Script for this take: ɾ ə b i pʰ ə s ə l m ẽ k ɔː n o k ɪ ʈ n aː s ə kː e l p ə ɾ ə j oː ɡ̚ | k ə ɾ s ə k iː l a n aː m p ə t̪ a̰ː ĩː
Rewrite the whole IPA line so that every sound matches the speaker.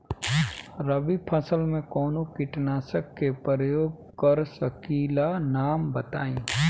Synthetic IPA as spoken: ɾ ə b i pʰ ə s ə l m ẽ k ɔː n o k ɪ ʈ n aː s ə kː e p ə ɾ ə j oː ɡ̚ | k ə ɾ s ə k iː l a n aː m b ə t̪ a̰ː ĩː